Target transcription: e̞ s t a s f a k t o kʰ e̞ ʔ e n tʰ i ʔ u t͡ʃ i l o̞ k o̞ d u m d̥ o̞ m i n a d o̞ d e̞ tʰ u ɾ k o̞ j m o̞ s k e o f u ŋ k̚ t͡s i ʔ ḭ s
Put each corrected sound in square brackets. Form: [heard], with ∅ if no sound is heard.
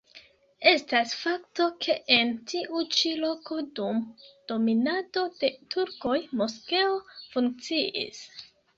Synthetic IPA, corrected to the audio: e̞ s t a s f a k t o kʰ e̞ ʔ e n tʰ i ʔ u t͡ʃ i l o̞ k o̞ d u m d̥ o̞ m i n a d o̞ d e̞ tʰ u ɾ k o̞ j m o̞ s k e o f u ŋ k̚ t͡s i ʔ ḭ s

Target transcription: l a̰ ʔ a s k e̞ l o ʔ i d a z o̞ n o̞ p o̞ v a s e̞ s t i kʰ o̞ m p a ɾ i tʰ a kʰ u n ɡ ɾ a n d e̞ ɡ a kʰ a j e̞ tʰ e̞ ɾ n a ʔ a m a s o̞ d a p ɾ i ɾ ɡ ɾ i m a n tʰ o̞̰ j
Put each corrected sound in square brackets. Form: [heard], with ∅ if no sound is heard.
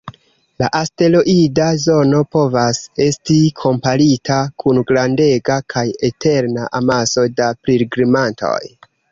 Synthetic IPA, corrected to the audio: l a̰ ʔ a s [t] e̞ l o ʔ i d a z o̞ n o̞ p o̞ v a s e̞ s t i kʰ o̞ m p a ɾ i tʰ a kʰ u n ɡ ɾ a n d e̞ ɡ a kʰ a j e̞ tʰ e̞ ɾ n a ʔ a m a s o̞ d a p ɾ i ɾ ɡ ɾ i m a n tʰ o̞̰ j

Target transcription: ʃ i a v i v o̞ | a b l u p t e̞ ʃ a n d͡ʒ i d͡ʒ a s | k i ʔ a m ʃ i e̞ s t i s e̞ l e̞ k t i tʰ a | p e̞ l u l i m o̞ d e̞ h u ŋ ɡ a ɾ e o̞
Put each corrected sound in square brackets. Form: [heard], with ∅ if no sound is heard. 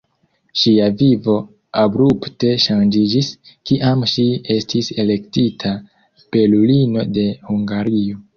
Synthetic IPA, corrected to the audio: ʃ i a v i v o̞ | a b [ɾ] u p t e̞ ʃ a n d͡ʒ i d͡ʒ [i] s | k i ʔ a m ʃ i e̞ s t i s e̞ l e̞ k t i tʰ a | p e̞ l u l i [n] o̞ d e̞ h u ŋ ɡ a ɾ [i] o̞

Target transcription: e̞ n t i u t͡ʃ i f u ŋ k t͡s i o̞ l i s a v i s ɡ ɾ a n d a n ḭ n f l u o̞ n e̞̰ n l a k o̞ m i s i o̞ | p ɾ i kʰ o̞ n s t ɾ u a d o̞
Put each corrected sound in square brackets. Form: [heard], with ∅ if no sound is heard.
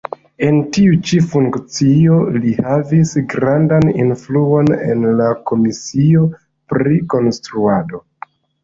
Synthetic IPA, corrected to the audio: e̞ n t i u t͡ʃ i f u ŋ k t͡s i o̞ l i [h] a v i s ɡ ɾ a n d a n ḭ n f l u o̞ n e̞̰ n l a k o̞ m i s i o̞ | p ɾ i [k] o̞ n s t ɾ u a d o̞

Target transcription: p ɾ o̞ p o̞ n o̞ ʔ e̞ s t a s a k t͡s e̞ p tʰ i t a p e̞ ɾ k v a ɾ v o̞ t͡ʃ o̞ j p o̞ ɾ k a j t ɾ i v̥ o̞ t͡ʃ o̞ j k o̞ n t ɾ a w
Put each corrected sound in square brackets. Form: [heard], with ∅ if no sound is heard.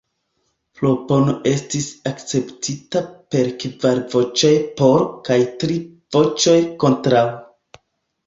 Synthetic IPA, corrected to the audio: p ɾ o̞ p o̞ n o̞ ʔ e̞ s t [i] s a k t͡s e̞ p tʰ i t a p e̞ ɾ k v a ɾ v o̞ t͡ʃ o̞ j p o̞ ɾ k a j t ɾ i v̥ o̞ t͡ʃ o̞ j k o̞ n t ɾ a w

